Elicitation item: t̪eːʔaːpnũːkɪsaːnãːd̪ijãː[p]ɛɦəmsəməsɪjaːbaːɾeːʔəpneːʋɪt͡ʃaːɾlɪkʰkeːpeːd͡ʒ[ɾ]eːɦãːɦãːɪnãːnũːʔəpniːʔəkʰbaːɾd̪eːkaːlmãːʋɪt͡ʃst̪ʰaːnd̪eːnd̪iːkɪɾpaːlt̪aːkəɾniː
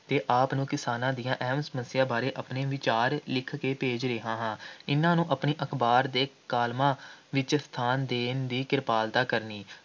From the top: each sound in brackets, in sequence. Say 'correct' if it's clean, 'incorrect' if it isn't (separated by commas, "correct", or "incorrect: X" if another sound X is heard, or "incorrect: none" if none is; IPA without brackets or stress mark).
incorrect: ʔ, correct